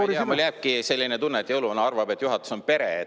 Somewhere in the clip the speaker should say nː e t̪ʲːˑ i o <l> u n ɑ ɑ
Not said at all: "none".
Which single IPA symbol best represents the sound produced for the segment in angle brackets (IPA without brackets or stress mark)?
l